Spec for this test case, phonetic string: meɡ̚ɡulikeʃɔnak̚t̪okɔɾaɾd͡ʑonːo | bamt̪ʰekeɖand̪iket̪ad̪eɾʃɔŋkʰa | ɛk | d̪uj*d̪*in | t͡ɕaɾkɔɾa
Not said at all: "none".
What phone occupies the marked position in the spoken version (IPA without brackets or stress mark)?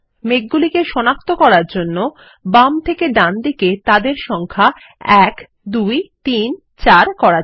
t̪